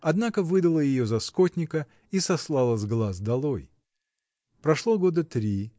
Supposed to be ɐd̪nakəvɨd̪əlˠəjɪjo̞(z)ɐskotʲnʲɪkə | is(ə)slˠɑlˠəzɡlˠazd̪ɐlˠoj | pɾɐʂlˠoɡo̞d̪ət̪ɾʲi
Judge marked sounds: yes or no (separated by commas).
yes, no